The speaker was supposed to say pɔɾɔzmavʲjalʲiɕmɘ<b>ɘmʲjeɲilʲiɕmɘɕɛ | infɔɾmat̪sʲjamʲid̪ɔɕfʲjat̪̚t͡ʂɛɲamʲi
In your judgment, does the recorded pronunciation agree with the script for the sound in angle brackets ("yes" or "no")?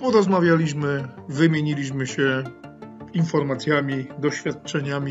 no